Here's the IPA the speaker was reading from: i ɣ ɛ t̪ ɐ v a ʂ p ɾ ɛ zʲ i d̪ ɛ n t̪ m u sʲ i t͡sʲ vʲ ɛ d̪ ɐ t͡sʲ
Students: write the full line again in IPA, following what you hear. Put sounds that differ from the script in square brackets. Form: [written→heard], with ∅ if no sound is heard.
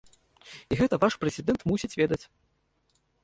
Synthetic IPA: i ɣ ɛ t̪ ɐ v a ʂ p ɾ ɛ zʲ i d̪ ɛ n t̪ m u sʲ i t͡sʲ vʲ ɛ d̪ ɐ t͡sʲ